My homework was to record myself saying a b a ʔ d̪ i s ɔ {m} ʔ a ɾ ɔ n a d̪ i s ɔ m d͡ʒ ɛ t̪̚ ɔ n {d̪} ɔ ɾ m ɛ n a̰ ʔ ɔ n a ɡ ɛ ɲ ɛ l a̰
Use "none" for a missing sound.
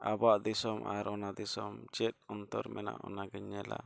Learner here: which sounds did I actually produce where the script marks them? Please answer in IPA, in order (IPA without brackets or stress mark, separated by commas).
m, t̪